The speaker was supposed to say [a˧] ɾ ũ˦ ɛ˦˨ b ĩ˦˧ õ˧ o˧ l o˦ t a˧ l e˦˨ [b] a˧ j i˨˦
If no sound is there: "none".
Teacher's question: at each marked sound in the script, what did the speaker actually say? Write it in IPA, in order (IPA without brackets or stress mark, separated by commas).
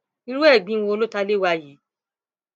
i˧, w